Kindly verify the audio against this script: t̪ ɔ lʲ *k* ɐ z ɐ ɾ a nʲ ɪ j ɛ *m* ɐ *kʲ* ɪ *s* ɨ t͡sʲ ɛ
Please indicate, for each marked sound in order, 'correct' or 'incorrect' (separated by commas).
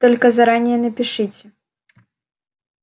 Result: correct, incorrect, incorrect, incorrect